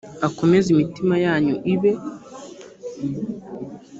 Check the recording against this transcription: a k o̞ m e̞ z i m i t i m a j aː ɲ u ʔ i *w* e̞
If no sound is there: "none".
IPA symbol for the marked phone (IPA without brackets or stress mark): β